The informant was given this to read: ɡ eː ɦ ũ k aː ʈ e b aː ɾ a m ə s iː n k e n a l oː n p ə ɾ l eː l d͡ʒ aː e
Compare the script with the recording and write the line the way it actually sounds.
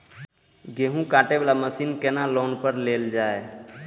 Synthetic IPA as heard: ɡ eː ɦ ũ k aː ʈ e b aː l a m ə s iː n k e n a l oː n p ə ɾ l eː l d͡ʒ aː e